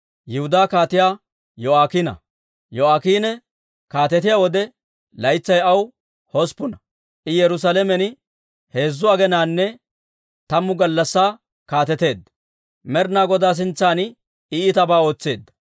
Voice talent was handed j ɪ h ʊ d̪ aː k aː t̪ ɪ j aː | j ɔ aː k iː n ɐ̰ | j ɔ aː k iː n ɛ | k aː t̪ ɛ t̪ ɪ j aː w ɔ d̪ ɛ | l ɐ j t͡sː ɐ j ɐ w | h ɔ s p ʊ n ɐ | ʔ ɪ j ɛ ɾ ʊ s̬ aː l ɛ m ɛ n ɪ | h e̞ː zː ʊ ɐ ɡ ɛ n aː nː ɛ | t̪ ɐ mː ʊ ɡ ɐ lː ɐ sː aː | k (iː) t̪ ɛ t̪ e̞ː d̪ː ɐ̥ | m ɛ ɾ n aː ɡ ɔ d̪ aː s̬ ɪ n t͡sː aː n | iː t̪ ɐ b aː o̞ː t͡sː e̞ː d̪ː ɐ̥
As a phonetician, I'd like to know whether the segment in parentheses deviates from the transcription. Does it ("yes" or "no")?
yes